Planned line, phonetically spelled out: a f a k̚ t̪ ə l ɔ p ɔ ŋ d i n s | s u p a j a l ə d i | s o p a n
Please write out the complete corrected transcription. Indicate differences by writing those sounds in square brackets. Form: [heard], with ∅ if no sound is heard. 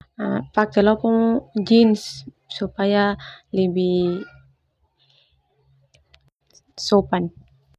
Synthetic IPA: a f a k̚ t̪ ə l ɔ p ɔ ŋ [d͡ʒ] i n s | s u p a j a l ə [b] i | s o p a n